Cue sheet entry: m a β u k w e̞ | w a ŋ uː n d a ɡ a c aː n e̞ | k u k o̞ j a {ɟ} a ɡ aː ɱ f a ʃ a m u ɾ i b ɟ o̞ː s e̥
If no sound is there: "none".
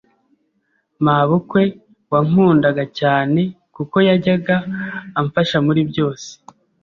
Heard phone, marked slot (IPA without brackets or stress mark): ɟ